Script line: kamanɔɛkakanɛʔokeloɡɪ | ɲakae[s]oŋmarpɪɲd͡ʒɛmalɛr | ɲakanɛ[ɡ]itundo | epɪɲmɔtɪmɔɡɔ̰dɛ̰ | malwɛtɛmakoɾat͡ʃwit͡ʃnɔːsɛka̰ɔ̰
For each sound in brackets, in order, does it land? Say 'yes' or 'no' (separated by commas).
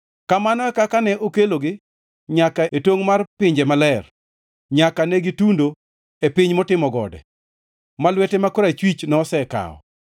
no, yes